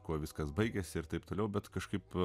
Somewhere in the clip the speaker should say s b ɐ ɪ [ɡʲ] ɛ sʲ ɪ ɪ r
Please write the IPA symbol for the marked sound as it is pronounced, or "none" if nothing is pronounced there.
ɡʲ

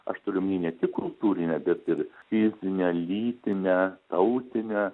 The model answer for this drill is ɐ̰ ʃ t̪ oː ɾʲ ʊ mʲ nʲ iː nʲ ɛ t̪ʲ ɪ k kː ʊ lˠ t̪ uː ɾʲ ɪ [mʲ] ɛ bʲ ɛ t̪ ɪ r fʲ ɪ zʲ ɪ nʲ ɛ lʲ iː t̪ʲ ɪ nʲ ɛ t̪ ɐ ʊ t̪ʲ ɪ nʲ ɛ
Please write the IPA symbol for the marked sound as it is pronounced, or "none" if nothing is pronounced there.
nʲ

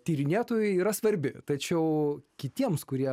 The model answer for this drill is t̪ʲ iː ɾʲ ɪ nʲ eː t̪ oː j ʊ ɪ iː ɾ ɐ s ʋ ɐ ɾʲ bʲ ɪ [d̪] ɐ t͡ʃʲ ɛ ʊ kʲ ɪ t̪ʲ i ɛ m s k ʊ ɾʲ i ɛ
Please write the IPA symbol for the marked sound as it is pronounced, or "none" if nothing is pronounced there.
t̪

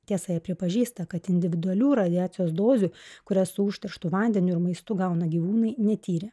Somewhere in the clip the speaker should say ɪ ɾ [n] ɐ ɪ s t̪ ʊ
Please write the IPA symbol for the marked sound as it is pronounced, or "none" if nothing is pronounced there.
m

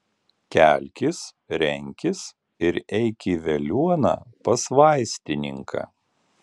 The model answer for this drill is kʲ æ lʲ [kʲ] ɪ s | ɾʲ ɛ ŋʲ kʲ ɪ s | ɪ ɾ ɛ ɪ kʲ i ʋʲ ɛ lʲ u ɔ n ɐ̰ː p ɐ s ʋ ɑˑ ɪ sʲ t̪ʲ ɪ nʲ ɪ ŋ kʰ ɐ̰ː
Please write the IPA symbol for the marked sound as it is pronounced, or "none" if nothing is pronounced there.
kʲ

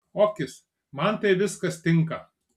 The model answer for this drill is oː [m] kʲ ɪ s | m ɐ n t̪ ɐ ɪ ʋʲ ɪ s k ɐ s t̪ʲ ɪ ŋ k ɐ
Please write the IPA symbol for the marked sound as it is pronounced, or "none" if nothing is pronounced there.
none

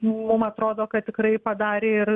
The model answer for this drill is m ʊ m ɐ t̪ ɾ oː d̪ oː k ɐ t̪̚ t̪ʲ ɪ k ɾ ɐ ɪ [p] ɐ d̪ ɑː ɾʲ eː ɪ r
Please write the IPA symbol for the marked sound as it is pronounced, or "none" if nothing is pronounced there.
p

